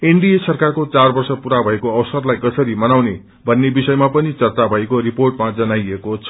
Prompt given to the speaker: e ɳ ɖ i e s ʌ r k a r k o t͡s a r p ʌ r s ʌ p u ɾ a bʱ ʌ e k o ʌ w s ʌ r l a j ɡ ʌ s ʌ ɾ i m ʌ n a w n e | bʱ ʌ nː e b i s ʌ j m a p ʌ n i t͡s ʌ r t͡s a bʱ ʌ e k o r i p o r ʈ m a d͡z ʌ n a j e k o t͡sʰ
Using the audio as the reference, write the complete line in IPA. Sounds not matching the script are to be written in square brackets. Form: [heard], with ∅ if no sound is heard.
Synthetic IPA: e ɳ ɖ i e s ʌ r k a r k o t͡s a r [b] ʌ r s ʌ p u ɾ a bʱ ʌ e k o ʌ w s ʌ r l a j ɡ ʌ s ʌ ɾ i m ʌ n a w n e | bʱ ʌ nː e b i s ʌ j m a p ʌ n i t͡s ʌ r t͡s a bʱ ʌ e k o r i p o r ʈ m a d͡z ʌ n a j e k o t͡sʰ